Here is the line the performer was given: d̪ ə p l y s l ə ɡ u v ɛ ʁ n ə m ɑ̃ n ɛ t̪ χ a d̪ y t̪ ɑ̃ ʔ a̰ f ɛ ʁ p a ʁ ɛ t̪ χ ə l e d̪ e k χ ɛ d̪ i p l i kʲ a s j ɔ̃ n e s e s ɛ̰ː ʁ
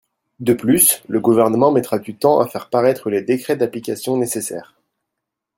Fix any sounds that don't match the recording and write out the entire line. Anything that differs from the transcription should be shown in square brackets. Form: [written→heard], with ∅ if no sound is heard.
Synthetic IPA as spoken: d̪ ə p l y s l ə ɡ u v ɛ ʁ n ə m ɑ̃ [n→m] ɛ t̪ χ a d̪ y t̪ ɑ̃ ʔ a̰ f ɛ ʁ p a ʁ ɛ t̪ χ ə l e d̪ e k χ ɛ d̪ [i→a] p l i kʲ a s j ɔ̃ n e s e s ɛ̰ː ʁ